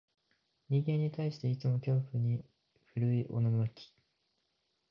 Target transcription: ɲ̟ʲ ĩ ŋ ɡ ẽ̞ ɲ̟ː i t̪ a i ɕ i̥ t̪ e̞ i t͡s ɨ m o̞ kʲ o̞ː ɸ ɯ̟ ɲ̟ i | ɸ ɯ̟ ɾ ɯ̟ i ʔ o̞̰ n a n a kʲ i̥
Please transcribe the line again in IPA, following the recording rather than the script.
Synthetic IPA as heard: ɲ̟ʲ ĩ ŋ ɡ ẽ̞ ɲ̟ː i t̪ a i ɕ i̥ t̪ e̞ i t͡s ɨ m o̞ kʲ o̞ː ɸ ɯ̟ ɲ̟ i | ɸ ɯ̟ ɾ ɯ̟ i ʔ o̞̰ n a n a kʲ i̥